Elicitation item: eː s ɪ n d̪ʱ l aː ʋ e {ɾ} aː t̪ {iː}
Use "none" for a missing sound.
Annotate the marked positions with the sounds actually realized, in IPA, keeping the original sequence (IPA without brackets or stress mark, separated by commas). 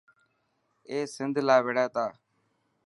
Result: ɽ, aː